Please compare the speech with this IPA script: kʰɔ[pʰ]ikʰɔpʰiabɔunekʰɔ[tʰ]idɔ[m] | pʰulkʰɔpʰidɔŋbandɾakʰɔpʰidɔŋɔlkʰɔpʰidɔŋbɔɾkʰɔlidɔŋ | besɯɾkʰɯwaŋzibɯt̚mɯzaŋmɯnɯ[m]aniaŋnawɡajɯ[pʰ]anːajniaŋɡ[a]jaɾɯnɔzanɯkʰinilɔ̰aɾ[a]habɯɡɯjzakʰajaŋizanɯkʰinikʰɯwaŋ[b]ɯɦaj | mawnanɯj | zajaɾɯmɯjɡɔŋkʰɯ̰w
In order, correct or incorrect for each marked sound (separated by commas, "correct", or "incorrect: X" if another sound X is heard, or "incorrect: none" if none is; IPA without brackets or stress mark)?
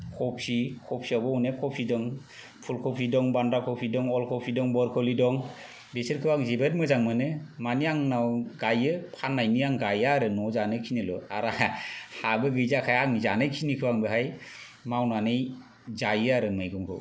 correct, incorrect: pʰ, incorrect: ŋ, correct, correct, correct, correct, correct